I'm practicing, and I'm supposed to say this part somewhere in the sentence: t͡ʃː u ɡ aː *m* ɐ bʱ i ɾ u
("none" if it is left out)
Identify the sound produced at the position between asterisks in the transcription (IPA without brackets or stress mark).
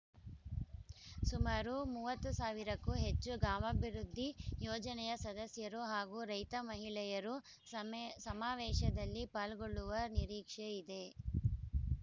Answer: m